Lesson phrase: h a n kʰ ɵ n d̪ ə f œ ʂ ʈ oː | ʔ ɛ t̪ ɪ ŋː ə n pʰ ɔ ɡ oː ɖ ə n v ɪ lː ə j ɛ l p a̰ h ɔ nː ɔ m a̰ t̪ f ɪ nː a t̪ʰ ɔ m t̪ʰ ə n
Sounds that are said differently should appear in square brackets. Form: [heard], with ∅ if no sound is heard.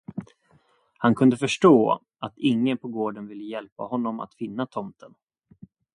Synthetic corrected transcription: h a n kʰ ɵ n d̪ ə f œ ʂ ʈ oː | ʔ [a] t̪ ɪ ŋː ə n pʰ ɔ ɡ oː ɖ ə n v ɪ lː ə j ɛ l p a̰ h ɔ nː ɔ m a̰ t̪ f ɪ nː a t̪ʰ ɔ m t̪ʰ ə n